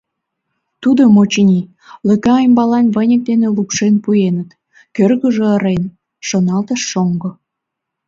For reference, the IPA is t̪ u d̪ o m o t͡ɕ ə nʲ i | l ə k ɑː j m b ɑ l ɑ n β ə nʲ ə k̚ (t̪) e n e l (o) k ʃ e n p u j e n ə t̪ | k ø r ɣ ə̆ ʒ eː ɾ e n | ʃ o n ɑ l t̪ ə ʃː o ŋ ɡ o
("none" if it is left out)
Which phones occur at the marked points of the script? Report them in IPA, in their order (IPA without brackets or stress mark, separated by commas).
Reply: d̪, u